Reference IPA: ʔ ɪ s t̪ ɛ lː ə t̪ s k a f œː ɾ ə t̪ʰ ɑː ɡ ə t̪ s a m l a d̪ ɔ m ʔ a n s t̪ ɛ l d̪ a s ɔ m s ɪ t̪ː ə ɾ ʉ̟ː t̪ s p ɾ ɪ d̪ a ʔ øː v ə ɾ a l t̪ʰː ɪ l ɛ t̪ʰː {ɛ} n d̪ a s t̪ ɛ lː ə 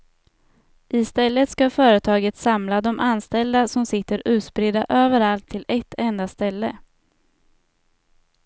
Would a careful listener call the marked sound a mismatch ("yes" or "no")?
no